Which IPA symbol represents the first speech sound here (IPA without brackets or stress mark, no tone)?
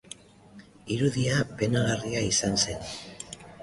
i